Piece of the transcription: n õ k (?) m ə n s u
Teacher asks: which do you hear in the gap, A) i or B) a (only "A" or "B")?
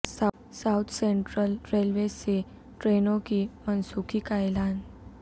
A